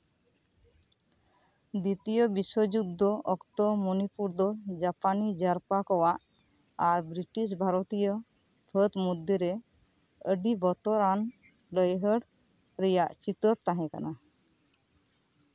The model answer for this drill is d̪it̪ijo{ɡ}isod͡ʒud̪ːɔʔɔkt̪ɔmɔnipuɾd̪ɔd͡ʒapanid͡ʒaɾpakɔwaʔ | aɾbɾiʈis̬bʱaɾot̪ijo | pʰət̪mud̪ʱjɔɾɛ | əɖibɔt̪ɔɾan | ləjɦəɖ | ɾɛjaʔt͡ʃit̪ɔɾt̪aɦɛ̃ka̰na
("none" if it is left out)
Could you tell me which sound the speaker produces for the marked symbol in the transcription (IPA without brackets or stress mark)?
b